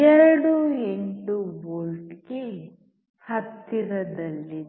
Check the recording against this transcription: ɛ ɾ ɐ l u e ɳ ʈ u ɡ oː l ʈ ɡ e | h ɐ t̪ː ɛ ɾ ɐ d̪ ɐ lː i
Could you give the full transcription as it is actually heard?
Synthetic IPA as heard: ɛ ɾ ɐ ɽ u e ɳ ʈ u b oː l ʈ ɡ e | h ɐ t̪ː i ɾ ɐ d̪ ɐ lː i